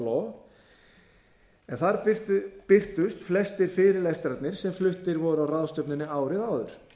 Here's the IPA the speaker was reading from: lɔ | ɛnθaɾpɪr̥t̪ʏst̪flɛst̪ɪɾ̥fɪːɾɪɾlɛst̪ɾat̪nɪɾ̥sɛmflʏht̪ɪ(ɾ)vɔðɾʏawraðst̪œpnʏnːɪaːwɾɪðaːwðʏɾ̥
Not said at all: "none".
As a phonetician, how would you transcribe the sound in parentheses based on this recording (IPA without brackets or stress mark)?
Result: ɾ